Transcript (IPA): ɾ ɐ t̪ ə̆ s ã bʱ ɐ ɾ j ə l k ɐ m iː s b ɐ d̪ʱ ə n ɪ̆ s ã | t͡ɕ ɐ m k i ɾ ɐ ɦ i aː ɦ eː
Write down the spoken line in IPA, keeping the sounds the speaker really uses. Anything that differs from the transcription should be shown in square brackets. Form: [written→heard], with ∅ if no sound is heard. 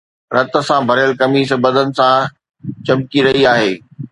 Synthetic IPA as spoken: ɾ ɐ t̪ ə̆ s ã bʱ ɐ ɾ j ə l k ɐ m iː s b ɐ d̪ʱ ə n ɪ̆ s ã | t͡ɕ ɐ m k i ɾ ɐ ɦ i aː ɦ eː